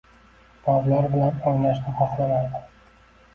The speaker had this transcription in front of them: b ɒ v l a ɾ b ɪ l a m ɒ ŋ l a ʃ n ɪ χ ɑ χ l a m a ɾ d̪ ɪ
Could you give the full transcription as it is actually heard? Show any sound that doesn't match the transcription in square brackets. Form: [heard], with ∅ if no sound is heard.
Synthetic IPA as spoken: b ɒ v l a ɾ b ɪ l a [n] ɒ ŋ l a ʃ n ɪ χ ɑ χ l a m a ɾ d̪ ɪ